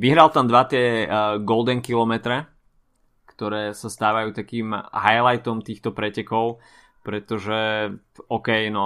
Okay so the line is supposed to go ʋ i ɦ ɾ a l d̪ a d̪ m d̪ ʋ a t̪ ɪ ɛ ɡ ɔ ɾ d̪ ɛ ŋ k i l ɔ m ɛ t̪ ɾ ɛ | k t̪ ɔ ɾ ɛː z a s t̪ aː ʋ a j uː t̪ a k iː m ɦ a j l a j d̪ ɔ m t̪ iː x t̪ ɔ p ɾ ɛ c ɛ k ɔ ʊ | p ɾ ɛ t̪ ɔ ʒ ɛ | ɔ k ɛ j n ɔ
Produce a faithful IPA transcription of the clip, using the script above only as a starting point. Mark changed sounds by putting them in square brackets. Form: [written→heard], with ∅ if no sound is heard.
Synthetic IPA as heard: ʋ i ɦ ɾ a l [d̪→t̪] a [d̪→∅] m d̪ ʋ a t̪ ɪ ɛ ɡ ɔ [ɾ→l] d̪ ɛ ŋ k i l ɔ m ɛ t̪ ɾ ɛ | k t̪ ɔ ɾ ɛː [z→s] a s t̪ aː ʋ a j uː t̪ a k iː m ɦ a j l a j [d̪→t̪] ɔ m t̪ iː x t̪ ɔ p ɾ ɛ c ɛ k ɔ ʊ | p ɾ ɛ t̪ ɔ ʒ ɛ | ɔ k ɛ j n ɔ